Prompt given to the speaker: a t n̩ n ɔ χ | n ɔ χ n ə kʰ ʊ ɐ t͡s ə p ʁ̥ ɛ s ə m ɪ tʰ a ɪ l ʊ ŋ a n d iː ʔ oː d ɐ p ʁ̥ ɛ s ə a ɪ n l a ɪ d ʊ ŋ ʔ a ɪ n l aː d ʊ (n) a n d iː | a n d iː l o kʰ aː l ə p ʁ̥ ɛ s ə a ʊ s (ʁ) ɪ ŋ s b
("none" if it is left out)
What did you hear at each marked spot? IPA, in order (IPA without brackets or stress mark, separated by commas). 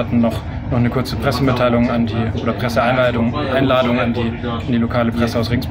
ŋ, ʁ